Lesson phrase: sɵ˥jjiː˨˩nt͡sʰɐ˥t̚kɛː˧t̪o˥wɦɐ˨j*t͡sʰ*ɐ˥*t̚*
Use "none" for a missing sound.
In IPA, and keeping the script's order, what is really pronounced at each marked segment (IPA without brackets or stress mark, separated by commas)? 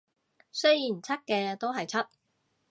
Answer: t͡sʰ, t̚